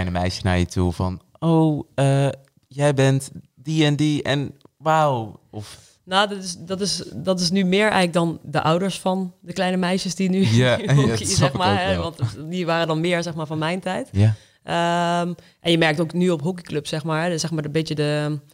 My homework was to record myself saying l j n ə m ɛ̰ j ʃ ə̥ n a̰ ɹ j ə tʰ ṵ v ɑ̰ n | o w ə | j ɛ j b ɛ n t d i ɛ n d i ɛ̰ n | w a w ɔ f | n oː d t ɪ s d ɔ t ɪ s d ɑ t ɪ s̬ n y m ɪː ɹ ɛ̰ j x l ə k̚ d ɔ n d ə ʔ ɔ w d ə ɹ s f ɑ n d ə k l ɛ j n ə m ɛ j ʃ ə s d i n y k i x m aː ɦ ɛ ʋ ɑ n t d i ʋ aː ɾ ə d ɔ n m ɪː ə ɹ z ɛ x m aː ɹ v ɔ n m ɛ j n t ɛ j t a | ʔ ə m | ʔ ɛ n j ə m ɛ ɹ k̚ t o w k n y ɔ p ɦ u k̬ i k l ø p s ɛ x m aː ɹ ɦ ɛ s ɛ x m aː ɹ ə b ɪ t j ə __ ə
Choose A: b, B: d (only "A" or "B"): B